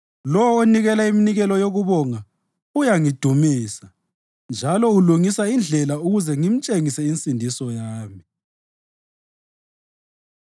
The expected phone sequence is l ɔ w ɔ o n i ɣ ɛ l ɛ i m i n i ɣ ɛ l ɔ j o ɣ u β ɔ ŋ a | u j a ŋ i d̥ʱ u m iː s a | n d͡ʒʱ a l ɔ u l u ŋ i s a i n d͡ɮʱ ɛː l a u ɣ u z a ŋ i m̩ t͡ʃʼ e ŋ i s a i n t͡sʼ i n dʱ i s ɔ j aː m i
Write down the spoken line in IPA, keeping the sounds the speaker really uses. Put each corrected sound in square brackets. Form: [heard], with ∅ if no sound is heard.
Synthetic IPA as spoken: l ɔ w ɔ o n i ɣ ɛ l [a] i m i n i ɣ ɛ l ɔ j o ɣ u β ɔ ŋ a | u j a ŋ i d̥ʱ u m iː s a | n d͡ʒʱ a l ɔ u l u ŋ i s a i n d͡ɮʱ [ɛ] l a u ɣ u z [ɛ] ŋ i m̩ t͡ʃʼ e ŋ i s [ɛ] i n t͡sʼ i n dʱ i s ɔ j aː m i